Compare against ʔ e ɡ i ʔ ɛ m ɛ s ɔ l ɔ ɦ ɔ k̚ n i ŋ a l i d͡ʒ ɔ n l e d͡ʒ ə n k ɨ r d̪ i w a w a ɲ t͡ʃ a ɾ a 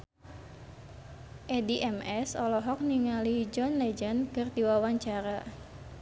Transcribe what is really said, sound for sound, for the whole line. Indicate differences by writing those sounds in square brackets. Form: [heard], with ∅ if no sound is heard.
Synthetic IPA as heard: ʔ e [d] i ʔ ɛ m ɛ s ɔ l ɔ ɦ ɔ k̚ n i ŋ a l i d͡ʒ ɔ n l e d͡ʒ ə n k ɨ r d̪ i w a w a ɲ t͡ʃ a ɾ a